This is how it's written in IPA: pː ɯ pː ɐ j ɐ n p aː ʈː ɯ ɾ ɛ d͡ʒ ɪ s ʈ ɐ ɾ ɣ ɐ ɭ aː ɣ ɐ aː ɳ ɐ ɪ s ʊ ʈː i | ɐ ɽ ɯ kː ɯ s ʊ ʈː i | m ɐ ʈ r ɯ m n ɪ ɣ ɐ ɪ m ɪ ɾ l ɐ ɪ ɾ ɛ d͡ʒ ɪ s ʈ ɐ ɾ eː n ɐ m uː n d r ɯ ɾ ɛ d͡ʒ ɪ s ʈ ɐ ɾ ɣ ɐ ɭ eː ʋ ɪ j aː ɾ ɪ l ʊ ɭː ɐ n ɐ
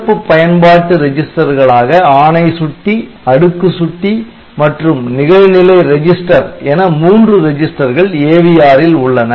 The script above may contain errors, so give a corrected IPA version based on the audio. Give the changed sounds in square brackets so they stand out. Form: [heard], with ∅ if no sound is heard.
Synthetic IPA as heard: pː ɯ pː ɐ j ɐ n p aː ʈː ɯ ɾ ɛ d͡ʒ ɪ s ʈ ɐ ɾ ɣ ɐ ɭ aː ɣ ɐ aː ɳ ɐ ɪ s ʊ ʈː i | ɐ ɽ ɯ kː ɯ s ʊ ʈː i | m ɐ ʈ r ɯ m n ɪ ɣ ɐ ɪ [n] ɪ [∅] l ɐ ɪ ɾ ɛ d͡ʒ ɪ s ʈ ɐ ɾ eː n ɐ m uː n d r ɯ ɾ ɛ d͡ʒ ɪ s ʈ ɐ ɾ ɣ ɐ ɭ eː ʋ ɪ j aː ɾ ɪ l ʊ ɭː ɐ n ɐ